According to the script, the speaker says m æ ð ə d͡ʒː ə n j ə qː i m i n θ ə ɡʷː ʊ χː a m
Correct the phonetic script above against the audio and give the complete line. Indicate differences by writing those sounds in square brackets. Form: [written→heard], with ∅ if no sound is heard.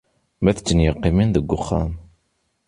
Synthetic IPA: m æ [ð→θ] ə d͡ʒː ə n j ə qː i m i n [θ→ð] ə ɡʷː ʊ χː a m